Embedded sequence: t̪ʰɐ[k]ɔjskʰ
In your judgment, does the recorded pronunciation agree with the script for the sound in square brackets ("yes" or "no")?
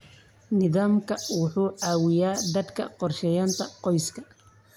no